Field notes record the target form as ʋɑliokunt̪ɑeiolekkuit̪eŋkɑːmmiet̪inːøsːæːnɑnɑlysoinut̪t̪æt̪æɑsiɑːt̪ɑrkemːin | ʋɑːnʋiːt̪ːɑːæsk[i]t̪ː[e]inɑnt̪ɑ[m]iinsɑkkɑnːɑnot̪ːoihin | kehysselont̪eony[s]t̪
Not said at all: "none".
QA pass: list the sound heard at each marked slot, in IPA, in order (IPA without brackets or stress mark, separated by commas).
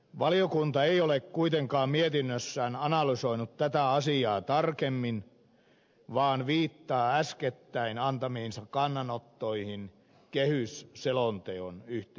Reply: e, æ, m, h